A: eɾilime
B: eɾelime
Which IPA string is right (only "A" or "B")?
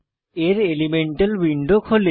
B